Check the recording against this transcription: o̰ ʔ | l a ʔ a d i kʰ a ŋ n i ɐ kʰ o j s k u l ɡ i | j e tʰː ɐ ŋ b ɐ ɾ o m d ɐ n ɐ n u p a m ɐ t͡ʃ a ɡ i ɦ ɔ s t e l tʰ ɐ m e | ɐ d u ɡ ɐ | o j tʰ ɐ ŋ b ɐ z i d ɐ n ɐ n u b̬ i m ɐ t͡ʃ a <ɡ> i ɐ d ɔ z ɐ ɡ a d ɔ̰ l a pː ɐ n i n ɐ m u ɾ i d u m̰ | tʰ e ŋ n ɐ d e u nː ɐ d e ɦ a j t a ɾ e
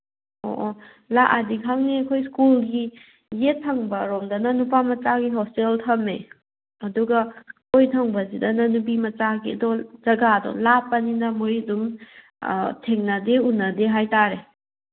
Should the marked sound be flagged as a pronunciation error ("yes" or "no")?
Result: no